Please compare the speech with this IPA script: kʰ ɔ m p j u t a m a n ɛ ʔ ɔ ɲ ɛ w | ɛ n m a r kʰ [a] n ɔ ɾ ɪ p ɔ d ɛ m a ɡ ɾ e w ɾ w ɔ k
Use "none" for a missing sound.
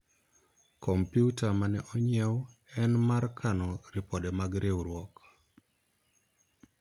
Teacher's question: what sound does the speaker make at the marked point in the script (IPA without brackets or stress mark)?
a